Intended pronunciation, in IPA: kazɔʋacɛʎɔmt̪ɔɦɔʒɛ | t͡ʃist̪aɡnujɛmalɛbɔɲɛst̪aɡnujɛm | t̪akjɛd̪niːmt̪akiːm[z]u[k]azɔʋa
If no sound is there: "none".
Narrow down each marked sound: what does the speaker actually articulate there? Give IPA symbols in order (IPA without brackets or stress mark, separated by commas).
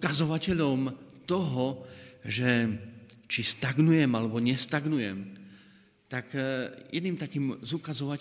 z, k